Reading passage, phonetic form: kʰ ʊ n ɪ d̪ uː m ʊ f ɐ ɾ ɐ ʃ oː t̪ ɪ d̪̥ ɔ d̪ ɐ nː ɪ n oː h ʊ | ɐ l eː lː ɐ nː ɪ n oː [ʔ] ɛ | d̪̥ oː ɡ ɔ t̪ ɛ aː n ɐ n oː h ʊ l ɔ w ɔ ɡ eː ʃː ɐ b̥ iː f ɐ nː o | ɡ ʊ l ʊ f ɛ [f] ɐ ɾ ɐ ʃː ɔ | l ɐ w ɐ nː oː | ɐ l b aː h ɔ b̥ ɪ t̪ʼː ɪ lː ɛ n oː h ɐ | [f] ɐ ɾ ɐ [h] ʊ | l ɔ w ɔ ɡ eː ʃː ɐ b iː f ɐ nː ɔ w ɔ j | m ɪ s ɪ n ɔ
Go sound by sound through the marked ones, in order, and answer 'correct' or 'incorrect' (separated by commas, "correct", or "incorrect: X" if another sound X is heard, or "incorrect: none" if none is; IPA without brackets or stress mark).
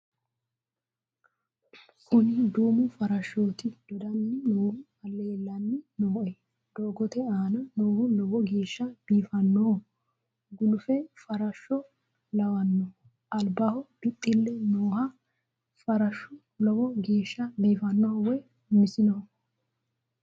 correct, correct, correct, incorrect: ʃ